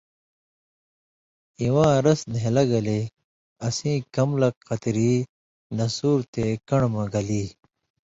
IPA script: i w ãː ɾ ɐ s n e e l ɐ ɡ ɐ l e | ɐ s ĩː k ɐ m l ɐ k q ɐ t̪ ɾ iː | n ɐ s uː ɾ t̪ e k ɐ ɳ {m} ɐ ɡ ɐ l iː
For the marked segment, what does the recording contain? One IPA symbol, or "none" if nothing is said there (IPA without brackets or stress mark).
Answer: m